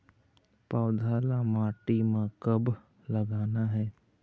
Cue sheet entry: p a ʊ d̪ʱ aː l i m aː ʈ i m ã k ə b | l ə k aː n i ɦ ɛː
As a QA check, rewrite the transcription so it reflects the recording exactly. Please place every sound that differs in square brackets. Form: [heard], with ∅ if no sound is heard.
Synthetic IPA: p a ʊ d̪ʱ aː l [a] m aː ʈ i m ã k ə b | l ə [ɡ] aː n [a] ɦ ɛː